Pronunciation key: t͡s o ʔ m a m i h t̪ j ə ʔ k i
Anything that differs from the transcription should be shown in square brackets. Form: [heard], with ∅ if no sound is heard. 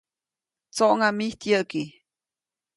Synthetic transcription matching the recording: t͡s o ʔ [ŋ] a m i h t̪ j ə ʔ k i